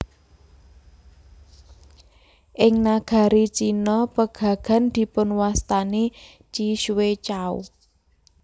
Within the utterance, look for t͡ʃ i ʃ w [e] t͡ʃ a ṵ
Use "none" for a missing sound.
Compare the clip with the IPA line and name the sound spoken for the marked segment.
e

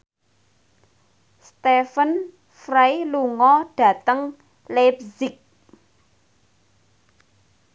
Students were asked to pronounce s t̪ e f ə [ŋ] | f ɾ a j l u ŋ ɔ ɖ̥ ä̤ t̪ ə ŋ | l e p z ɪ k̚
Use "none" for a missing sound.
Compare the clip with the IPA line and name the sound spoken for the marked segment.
n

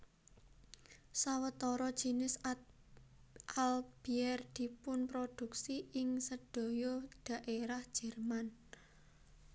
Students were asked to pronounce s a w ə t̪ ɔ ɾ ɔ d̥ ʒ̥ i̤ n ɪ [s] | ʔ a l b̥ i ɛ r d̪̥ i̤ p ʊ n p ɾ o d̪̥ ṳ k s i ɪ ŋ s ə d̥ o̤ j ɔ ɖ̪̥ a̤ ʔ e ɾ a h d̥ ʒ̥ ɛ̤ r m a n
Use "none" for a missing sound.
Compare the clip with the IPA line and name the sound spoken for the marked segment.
s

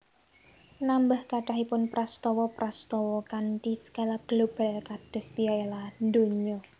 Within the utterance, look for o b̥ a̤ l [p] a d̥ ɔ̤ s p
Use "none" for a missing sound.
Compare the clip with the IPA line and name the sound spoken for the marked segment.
k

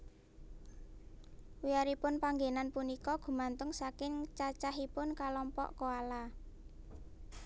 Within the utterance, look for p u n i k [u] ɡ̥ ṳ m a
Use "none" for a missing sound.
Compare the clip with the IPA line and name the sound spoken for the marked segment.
ɔ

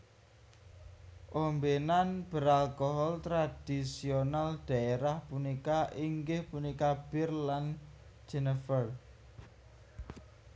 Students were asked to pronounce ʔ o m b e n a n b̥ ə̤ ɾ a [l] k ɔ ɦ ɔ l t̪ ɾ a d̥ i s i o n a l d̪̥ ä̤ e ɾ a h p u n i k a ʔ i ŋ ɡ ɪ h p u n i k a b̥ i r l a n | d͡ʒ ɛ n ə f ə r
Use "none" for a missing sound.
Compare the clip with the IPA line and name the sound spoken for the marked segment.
l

